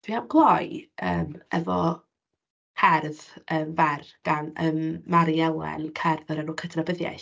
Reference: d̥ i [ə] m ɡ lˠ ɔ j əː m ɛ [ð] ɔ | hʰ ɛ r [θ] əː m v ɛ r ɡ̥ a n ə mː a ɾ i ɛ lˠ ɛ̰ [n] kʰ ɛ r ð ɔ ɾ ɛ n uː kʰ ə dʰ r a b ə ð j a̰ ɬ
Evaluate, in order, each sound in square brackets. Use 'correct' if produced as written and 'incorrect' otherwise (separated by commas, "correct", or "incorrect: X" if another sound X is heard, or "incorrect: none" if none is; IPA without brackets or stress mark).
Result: incorrect: a, incorrect: v, incorrect: ð, correct